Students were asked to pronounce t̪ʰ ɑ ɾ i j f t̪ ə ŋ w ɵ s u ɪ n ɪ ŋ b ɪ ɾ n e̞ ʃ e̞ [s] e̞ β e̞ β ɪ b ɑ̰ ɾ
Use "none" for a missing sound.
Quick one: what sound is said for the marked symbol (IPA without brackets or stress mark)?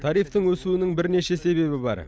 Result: s